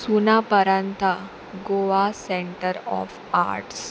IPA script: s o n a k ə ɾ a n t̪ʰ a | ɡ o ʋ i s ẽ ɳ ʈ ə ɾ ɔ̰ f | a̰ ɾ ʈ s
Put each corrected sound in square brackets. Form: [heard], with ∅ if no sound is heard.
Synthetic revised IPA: s [u] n a [p] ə ɾ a n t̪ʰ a | ɡ o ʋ [a] s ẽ ɳ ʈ ə ɾ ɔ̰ f | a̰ ɾ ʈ s